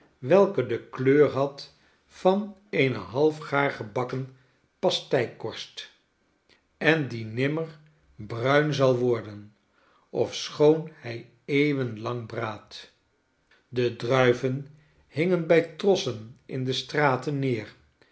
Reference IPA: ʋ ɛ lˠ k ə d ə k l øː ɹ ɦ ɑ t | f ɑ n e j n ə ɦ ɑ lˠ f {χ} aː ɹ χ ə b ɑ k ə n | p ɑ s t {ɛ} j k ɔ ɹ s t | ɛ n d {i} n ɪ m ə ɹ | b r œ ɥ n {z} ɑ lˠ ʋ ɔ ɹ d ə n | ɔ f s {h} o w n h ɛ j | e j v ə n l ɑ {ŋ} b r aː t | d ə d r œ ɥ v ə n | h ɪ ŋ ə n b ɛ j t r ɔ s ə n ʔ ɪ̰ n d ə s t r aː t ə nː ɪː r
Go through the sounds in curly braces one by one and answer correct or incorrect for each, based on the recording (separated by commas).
correct, correct, correct, correct, incorrect, correct